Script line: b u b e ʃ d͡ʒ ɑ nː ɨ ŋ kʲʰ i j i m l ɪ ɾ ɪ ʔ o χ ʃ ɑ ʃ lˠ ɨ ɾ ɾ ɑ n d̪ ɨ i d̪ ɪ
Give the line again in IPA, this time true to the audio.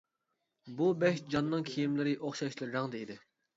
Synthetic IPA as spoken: b u b ɛ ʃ d͡ʒ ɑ nː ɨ ŋ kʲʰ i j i m l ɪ ɾ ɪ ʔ o χ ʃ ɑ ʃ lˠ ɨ ɾ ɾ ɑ ŋ d̪ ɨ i d̪ ɪ